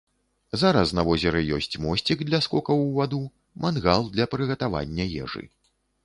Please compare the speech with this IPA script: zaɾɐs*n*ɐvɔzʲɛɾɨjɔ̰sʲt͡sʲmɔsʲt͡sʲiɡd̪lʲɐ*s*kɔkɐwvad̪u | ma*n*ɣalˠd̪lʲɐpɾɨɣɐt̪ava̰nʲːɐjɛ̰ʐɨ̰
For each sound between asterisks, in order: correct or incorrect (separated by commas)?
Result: correct, correct, correct